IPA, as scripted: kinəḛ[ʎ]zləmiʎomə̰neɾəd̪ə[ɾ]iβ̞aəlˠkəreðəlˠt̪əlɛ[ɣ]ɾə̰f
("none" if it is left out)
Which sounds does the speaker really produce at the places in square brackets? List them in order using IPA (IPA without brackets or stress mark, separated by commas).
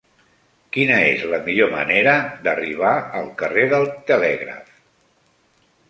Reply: none, r, ɣ